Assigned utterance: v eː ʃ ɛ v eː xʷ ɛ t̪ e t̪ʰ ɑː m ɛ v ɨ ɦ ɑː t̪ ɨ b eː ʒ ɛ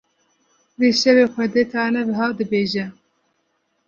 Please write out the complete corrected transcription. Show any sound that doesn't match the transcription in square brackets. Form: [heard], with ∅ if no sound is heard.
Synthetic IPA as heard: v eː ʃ ɛ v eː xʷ ɛ [d̪] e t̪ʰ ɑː [n] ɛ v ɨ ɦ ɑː [d̪] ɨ b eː ʒ ɛ